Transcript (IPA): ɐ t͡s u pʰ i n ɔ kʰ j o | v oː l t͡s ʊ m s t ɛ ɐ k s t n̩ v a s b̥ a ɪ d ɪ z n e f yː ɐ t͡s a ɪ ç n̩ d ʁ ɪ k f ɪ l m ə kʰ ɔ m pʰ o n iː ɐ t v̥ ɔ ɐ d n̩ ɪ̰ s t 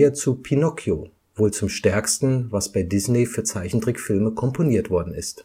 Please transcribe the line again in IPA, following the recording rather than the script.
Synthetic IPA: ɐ t͡s u pʰ i n ɔ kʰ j o | v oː l t͡s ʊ m ʃ t ɛ ɐ k s t n̩ v a s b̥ a ɪ d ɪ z n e f yː ɐ t͡s a ɪ ç n̩ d ʁ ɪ k f ɪ l m ə kʰ ɔ m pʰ o n iː ɐ t v̥ ɔ ɐ d n̩ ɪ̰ s t

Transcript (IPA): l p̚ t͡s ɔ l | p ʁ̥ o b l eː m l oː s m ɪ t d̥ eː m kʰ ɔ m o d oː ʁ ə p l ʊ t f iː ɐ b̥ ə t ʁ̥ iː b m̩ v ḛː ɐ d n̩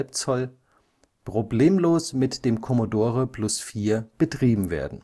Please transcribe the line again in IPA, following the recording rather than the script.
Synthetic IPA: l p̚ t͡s ɔ l | p ʁ̥ o b l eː m l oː s m ɪ t d̥ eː m kʰ ɔ m o d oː ʁ ə p l ʊ s f iː ɐ b̥ ə t ʁ̥ iː b m̩ v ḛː ɐ d n̩

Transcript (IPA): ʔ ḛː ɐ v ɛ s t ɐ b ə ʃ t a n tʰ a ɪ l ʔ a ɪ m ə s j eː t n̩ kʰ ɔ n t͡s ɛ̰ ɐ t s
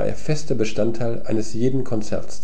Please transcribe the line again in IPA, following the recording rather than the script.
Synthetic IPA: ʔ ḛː ɐ f ɛ s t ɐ b ə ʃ t a n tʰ a ɪ l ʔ a ɪ n ə s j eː d n̩ kʰ ɔ n t͡s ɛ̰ ɐ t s

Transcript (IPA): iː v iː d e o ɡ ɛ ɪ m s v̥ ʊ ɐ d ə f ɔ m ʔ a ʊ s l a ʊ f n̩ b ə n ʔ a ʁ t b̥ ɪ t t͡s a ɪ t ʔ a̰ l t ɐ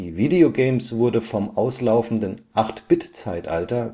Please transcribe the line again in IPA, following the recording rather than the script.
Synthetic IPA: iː v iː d e o ɡ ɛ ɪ m s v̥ ʊ ɐ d ə f ɔ m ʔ a ʊ s l a ʊ f n̩ d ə n ʔ a χ t b̥ ɪ t t͡s a ɪ t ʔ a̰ l t ɐ

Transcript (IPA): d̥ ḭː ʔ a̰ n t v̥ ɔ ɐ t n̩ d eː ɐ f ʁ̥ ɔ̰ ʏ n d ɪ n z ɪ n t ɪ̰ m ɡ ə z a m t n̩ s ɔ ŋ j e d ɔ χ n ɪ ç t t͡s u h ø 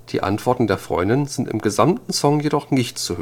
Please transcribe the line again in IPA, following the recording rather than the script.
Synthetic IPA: d̥ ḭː ʔ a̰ n t v̥ ɔ ɐ t n̩ d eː ɐ f ʁ̥ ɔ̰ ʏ n d ɪ n z ɪ n t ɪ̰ m ɡ ə z a m t n̩ s ɔ ŋ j e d ɔ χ n ɪ ç t t͡s u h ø

